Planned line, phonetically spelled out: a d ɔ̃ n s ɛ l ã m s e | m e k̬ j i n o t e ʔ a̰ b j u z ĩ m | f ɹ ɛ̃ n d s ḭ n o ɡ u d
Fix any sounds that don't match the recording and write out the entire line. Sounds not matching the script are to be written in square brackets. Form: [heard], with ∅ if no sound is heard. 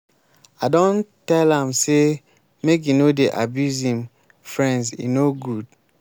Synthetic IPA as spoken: a d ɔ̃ n [t] ɛ l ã m s e | m e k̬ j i n o [d] e ʔ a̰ b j u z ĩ m | f ɹ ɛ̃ n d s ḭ n o ɡ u d

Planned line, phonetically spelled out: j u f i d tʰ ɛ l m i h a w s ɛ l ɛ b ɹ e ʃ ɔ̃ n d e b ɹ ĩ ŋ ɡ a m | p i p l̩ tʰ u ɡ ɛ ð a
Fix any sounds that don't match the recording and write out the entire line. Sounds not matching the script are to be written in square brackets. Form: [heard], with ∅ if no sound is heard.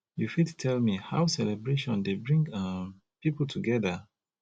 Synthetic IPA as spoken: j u f i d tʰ ɛ l m i h a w s ɛ l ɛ b ɹ e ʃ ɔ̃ n d e b ɹ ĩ ŋ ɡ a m | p i p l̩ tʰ u ɡ ɛ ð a

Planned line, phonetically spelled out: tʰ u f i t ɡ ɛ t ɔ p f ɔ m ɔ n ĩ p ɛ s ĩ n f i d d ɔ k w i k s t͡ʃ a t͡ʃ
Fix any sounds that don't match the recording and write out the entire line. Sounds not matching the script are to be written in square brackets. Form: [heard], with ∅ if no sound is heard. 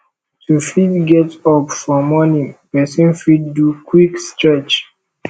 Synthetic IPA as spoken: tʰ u f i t ɡ ɛ t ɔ p f ɔ m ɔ n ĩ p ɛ s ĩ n f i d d [u] k w i k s t͡ʃ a t͡ʃ

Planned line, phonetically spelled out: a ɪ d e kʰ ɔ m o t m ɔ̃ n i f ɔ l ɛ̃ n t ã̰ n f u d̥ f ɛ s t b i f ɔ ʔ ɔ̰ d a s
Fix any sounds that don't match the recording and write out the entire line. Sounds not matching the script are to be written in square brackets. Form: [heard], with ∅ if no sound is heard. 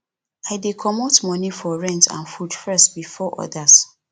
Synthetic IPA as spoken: a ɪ d e kʰ ɔ m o t m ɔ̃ n i f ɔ [ɹ] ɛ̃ n t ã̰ n f u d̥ f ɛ s t b i f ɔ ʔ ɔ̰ d a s

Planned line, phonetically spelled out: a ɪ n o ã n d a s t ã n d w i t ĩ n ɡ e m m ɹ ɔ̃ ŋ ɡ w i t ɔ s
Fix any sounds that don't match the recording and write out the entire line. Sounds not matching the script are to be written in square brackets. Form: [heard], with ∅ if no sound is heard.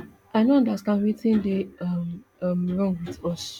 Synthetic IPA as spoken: a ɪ n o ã n d a s t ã n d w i t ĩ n [d] e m m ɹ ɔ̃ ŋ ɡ w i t ɔ s

